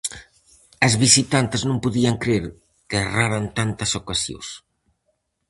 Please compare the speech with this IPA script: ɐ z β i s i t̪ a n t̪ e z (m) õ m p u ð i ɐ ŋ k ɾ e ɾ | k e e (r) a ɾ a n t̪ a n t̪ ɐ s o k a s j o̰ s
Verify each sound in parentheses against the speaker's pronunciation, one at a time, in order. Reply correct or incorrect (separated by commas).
incorrect, correct